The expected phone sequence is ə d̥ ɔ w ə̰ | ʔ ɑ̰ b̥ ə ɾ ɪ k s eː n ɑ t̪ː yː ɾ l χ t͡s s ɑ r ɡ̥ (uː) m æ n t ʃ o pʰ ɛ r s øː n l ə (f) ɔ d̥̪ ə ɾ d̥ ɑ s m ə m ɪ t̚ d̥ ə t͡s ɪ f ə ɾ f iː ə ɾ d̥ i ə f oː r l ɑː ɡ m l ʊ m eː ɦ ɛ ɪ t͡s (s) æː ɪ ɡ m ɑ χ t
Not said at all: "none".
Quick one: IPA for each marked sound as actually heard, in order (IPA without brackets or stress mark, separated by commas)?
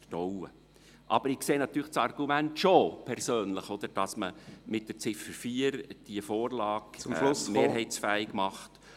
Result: u, χ, f